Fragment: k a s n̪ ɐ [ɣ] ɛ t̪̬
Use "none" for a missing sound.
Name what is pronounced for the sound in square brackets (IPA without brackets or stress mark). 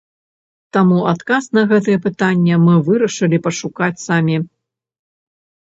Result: ɣ